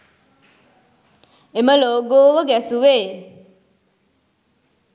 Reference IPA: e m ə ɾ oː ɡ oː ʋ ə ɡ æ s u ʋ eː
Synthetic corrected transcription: e m ə l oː ɡ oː ʋ ə ɡ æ s u ʋ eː